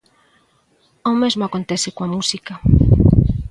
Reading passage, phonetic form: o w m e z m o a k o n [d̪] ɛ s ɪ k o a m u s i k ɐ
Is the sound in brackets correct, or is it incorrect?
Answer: incorrect